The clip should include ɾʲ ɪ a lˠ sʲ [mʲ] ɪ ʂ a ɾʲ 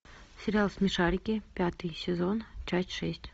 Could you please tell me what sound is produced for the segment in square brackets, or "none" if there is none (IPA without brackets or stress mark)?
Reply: mʲ